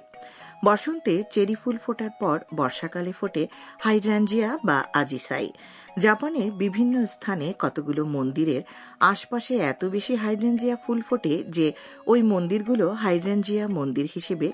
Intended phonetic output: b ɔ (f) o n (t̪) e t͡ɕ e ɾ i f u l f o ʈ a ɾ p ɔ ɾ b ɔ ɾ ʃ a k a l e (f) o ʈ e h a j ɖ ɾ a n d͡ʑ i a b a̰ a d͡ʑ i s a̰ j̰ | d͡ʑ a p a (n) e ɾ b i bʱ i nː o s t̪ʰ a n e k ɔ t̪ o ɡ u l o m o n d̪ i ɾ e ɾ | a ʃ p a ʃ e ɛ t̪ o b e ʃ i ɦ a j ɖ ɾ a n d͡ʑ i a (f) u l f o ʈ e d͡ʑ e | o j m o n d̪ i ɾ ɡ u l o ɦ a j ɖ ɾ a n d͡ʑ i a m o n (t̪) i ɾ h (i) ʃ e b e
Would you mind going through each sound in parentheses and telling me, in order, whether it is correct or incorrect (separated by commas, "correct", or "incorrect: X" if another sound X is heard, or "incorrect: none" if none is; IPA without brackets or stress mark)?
incorrect: ʃ, correct, correct, correct, correct, incorrect: d̪, correct